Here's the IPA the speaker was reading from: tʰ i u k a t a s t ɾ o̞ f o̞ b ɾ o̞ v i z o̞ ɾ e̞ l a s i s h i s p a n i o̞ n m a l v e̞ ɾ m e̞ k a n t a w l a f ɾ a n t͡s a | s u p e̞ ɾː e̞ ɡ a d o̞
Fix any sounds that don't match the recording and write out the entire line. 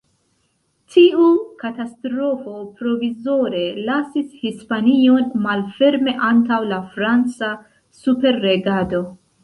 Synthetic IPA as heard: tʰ i u k a t a s t ɾ o̞ f o̞ p ɾ o̞ v i z o̞ ɾ e̞ l a s i s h i s p a n i o̞ n m a l f e̞ ɾ m e̞ ʔ a n t a w l a f ɾ a n t͡s a | s u p e̞ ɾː e̞ ɡ a d o̞